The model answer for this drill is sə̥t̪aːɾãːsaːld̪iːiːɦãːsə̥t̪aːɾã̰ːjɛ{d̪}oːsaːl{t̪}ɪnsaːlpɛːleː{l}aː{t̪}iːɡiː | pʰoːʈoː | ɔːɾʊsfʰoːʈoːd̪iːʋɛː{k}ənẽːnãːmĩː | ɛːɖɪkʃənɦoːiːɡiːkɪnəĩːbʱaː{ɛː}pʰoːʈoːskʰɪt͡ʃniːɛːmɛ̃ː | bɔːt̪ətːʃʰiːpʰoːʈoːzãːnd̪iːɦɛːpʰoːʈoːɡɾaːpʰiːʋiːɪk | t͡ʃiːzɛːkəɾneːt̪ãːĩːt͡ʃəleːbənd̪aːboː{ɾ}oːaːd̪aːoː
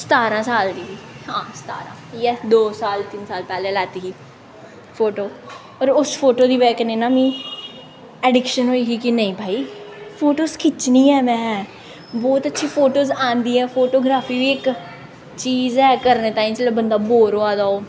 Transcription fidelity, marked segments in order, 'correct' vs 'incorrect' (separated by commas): correct, correct, correct, correct, correct, incorrect, correct